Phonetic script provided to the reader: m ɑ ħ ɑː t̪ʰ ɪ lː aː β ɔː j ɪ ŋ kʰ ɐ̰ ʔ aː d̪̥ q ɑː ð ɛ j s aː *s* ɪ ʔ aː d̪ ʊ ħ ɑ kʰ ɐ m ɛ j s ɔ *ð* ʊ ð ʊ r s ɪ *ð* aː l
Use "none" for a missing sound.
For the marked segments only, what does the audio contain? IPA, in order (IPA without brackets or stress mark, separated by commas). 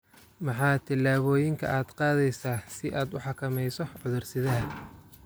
s, ʕ, ð